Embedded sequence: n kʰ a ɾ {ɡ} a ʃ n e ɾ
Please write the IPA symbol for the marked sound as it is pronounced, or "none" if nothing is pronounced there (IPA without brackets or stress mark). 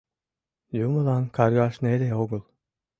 ɡ